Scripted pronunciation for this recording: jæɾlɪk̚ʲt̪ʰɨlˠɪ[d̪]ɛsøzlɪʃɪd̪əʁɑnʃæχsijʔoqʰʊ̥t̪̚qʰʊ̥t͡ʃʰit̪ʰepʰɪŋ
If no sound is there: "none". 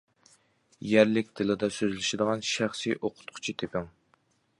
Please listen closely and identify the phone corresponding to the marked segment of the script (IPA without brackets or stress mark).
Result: d̪